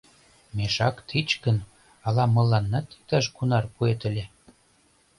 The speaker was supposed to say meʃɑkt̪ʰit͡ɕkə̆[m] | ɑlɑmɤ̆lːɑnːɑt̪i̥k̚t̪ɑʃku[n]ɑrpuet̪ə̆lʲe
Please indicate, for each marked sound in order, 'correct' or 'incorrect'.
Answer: incorrect: n, correct

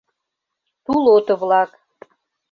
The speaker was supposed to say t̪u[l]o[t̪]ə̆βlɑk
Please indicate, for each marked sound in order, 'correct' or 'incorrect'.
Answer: correct, correct

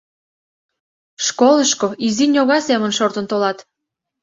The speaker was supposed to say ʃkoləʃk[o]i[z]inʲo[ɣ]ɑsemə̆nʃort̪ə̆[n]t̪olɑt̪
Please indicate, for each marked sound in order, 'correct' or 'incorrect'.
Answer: correct, correct, correct, correct

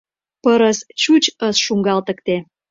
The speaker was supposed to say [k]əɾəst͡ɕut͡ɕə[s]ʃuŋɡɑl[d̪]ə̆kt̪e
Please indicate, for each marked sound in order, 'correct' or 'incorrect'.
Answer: incorrect: p, correct, incorrect: t̪

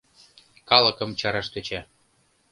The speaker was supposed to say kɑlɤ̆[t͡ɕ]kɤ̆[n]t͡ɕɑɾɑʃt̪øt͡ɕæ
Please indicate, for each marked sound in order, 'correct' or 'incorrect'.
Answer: incorrect: none, incorrect: m

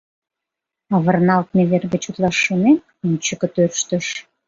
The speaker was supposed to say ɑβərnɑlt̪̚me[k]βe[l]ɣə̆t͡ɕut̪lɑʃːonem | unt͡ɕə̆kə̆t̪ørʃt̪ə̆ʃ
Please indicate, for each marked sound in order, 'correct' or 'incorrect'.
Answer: incorrect: none, incorrect: r

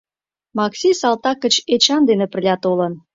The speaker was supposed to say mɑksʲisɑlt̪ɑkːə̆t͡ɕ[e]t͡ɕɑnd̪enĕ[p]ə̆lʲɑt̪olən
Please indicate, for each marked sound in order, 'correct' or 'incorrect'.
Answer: correct, correct

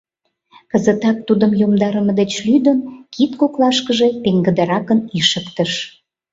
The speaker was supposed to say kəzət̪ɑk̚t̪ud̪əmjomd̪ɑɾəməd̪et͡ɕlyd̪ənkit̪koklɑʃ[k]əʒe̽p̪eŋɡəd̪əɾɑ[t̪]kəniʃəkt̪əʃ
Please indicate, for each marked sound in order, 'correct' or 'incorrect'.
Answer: correct, incorrect: none

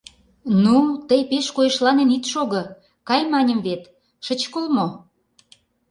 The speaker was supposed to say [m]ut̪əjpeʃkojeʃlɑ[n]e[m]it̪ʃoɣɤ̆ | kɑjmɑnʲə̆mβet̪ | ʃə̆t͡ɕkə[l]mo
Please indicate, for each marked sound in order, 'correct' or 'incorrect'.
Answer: incorrect: n, correct, incorrect: n, correct

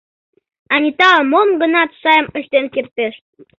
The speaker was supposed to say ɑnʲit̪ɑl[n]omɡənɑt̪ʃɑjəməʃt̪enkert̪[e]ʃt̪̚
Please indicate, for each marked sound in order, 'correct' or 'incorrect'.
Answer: incorrect: m, correct

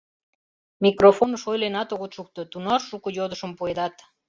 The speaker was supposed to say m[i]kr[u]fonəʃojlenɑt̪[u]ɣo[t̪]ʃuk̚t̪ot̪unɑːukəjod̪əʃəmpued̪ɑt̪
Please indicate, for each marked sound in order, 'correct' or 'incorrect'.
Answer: correct, incorrect: o, incorrect: o, correct

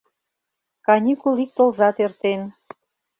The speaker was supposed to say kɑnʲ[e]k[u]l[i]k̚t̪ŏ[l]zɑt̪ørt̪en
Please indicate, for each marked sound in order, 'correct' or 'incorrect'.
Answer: incorrect: i, correct, correct, correct

